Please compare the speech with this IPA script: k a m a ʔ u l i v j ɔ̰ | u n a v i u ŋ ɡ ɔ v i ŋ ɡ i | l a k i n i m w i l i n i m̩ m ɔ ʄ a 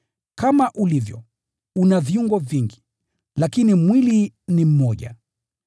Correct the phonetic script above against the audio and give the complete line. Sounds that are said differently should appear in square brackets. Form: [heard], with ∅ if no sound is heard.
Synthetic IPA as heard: k a m a ʔ u l i v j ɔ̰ | u n a v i u ŋ ɡ ɔ v i ŋ ɡ i | l a k i n i m w i l i n i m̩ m ɔ ʄ a